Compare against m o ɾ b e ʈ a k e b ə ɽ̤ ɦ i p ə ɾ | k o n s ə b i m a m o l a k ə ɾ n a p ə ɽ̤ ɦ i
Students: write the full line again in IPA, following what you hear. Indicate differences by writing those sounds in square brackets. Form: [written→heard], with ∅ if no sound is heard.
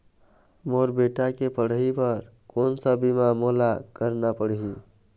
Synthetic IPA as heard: m o ɾ b e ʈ a k e [b→p] ə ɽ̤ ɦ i p ə ɾ | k o n s ə b i m a m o l a k ə ɾ n a p ə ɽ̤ ɦ i